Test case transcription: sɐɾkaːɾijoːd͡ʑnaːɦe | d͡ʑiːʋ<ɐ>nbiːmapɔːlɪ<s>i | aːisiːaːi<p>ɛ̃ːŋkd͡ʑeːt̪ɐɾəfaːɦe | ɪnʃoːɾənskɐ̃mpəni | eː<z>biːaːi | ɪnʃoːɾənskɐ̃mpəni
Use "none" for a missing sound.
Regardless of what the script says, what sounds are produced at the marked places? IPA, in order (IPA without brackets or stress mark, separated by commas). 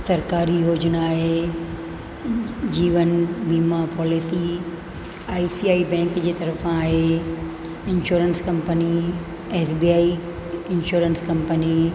ə, s, b, s